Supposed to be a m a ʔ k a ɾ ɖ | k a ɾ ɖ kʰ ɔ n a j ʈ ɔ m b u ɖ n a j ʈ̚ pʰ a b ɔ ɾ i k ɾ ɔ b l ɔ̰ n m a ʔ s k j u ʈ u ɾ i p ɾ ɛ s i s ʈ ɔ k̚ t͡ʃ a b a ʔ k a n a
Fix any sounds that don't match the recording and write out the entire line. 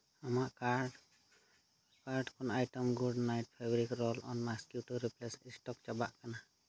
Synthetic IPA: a m a ʔ k a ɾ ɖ | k a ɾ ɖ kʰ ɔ n a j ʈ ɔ m ɡ u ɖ n a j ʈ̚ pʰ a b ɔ ɾ i k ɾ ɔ l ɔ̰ n m a s k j u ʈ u ɾ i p l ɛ s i s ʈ ɔ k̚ t͡ʃ a b a ʔ k a n a